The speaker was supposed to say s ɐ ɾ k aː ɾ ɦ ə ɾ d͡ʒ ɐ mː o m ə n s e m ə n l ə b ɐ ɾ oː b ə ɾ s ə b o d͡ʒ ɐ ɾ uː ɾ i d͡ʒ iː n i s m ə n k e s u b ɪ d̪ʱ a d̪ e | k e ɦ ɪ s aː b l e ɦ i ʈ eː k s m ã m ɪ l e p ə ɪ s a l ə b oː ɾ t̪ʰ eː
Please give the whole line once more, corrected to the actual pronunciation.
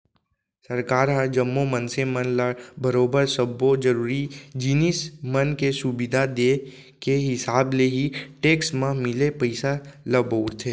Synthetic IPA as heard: s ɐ ɾ k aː ɾ ɦ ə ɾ d͡ʒ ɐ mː o m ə n s e m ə n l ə b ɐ ɾ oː b ə ɾ s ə b o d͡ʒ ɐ ɾ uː ɾ i d͡ʒ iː n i s m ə n k e s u b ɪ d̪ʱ a d̪ e | k e ɦ ɪ s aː b l e ɦ i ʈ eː k s m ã m ɪ l e p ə ɪ s a l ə b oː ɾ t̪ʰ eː